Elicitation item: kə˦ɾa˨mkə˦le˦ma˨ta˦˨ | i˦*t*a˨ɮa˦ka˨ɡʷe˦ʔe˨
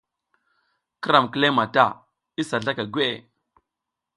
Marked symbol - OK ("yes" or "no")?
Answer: no